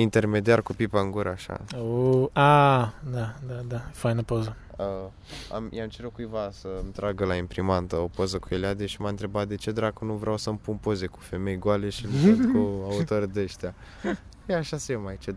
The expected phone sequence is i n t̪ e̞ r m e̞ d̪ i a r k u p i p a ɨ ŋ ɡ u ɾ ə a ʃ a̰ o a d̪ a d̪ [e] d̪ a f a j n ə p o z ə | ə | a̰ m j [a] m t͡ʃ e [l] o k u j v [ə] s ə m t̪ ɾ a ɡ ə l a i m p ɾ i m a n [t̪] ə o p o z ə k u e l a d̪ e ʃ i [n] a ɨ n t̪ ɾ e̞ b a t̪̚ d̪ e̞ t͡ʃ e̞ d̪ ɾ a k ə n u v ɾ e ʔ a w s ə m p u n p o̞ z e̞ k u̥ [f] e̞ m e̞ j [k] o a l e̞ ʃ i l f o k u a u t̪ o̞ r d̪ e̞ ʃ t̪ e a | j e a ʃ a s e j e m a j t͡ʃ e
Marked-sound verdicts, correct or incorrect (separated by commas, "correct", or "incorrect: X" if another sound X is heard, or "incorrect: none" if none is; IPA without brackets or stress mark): incorrect: a, correct, incorrect: ɾ, incorrect: a, correct, incorrect: m, correct, incorrect: ɡ